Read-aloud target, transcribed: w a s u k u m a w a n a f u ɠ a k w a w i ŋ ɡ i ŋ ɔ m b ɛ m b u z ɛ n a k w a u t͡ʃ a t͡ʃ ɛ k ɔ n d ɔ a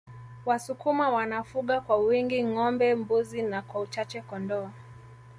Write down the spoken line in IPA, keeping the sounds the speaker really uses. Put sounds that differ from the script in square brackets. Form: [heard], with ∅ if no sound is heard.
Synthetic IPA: w a s u k u m a w a n a f u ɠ a k w a w i ŋ ɡ i ŋ ɔ m b ɛ m b u z [i] n a k w a u t͡ʃ a t͡ʃ ɛ k ɔ n d ɔ a